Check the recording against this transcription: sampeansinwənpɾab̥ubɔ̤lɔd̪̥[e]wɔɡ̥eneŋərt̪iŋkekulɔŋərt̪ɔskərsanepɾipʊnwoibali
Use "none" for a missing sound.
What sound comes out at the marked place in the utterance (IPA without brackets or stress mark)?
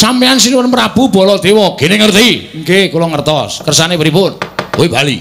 e